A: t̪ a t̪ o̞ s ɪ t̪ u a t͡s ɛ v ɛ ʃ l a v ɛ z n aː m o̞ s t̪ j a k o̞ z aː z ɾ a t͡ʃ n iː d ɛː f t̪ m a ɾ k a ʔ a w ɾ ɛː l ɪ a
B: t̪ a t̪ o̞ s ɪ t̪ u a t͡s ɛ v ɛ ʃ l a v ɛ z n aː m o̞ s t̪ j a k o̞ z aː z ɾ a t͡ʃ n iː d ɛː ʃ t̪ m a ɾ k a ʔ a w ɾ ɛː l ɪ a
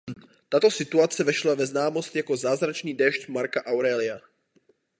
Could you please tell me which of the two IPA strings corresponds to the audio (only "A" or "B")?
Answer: B